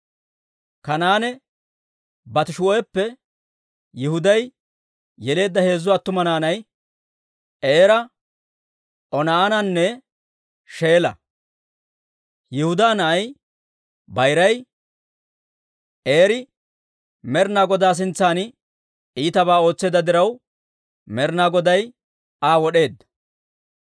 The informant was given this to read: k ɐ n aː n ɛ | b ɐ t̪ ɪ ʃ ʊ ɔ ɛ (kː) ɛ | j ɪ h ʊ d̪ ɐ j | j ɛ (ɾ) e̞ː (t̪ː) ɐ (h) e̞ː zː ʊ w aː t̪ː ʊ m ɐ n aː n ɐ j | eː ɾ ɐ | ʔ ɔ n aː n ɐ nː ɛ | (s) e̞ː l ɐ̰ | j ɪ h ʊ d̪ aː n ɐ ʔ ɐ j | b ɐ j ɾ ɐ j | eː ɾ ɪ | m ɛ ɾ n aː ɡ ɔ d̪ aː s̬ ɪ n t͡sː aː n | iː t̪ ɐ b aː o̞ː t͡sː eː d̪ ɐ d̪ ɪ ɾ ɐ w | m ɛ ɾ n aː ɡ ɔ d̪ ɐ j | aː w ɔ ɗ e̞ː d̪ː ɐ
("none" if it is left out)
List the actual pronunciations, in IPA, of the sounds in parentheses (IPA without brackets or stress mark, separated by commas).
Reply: pː, l, d̪ː, h, ʃ